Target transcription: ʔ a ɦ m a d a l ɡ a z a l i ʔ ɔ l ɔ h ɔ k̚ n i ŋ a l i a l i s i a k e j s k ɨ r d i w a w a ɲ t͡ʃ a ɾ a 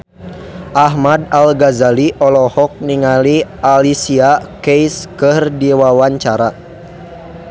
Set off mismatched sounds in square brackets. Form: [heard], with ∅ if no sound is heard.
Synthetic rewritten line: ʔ a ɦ m a d a l ɡ a z a l i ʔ ɔ l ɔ h ɔ k̚ n i ŋ a l i a l i s i a k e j s k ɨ r d i w a w a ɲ t͡ʃ a ɾ a